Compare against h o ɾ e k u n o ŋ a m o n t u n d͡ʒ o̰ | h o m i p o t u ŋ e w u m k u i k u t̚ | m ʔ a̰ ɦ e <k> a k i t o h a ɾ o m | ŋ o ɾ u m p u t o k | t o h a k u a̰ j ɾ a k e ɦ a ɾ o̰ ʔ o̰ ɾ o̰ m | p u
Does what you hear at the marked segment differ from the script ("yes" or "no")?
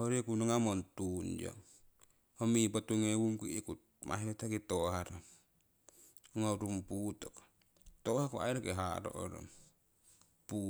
yes